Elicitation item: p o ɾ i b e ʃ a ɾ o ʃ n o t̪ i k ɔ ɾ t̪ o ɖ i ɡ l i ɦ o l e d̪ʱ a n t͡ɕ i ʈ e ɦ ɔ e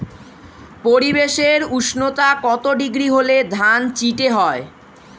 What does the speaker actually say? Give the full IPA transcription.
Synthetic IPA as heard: p o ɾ i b e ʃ e ɾ u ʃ n o t̪ a k ɔ t̪ o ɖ i ɡ ɾ i ɦ o l e d̪ʱ a n t͡ɕ i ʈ e ɦ ɔ e